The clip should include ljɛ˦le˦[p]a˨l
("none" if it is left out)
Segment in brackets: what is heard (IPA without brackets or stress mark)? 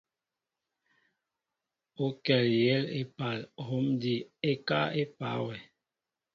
p